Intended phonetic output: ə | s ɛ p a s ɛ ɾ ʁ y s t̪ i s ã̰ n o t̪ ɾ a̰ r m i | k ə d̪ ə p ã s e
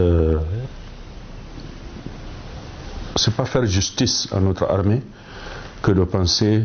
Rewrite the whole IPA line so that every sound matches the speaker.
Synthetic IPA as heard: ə | s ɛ p a f ɛ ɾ ʒ y s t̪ i s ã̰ n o t̪ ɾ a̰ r m e | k ə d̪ ə p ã s e